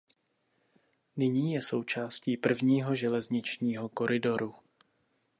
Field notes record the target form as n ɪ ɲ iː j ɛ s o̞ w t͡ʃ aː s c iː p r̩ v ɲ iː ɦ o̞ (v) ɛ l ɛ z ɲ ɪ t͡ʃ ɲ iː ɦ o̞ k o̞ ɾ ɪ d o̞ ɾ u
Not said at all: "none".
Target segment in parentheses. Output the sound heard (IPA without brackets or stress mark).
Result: ʒ